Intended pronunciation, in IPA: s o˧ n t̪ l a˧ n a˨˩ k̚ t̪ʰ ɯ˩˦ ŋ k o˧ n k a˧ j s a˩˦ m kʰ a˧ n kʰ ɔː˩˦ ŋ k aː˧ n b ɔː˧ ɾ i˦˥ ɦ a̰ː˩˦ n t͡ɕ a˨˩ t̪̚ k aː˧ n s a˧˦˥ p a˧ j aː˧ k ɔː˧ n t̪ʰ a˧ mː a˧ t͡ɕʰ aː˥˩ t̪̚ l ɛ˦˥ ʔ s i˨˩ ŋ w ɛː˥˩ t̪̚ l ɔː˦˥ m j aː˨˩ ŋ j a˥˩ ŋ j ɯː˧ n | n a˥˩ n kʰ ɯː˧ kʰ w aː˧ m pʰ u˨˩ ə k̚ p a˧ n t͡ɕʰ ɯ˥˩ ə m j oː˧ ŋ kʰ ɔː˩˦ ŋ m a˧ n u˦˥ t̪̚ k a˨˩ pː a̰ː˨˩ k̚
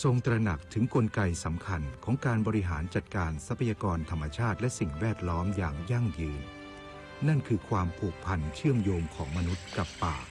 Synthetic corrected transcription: s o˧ ŋ t̪ ɾ a˧ n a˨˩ k̚ t̪ʰ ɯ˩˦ ŋ k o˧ n k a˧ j s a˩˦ m kʰ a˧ n kʰ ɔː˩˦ ŋ k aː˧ n b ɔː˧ ɾ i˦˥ ɦ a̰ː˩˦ n t͡ɕ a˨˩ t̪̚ k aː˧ n s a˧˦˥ pʰ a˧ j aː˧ k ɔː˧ n t̪ʰ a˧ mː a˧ t͡ɕʰ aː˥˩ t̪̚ l ɛ˦˥ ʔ s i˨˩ ŋ w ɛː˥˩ t̪̚ l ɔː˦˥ m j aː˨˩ ŋ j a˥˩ ŋ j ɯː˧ n | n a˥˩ n kʰ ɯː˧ kʰ w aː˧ m pʰ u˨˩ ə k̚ pʰ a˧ n t͡ɕʰ ɯ˥˩ ə m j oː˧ m kʰ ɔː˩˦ ŋ m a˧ n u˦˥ t̪̚ k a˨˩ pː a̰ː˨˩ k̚

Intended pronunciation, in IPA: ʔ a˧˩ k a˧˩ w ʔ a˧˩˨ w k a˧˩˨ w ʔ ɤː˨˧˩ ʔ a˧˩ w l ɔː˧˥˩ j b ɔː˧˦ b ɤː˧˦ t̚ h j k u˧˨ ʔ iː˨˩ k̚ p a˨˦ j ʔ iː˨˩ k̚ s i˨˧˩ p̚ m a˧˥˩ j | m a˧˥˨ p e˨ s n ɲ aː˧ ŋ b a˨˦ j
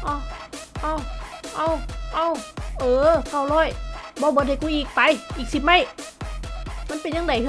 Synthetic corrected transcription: ʔ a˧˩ ʔ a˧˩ w ʔ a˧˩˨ w ʔ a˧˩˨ w ʔ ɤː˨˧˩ k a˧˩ w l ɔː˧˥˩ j b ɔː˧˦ b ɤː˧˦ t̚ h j k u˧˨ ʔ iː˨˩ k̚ p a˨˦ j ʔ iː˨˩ k̚ s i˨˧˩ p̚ m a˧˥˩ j | m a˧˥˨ p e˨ n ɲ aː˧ ŋ d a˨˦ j

